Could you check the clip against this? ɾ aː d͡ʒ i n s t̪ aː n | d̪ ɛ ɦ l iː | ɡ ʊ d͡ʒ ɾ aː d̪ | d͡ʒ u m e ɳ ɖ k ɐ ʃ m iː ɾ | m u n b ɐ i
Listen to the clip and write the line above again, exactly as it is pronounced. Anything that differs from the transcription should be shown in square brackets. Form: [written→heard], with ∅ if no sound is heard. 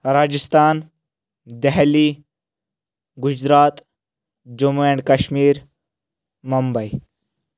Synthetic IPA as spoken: ɾ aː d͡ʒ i [n→∅] s t̪ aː n | d̪ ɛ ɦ l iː | ɡ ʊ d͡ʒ ɾ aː [d̪→t̪] | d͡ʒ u m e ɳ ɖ k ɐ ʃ m iː ɾ | m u [n→m] b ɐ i